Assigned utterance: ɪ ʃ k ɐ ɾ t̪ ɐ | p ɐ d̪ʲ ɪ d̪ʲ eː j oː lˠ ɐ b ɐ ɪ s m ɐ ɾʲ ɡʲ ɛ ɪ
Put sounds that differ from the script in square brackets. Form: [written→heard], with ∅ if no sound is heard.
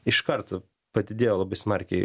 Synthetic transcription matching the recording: ɪ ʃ k ɐ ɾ t̪ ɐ | p ɐ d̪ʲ ɪ d̪ʲ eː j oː lˠ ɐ b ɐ ɪ s m ɐ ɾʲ [ɡʲ→kʲ] ɛ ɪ